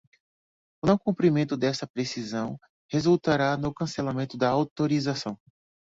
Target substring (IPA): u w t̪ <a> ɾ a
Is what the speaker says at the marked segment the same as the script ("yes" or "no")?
yes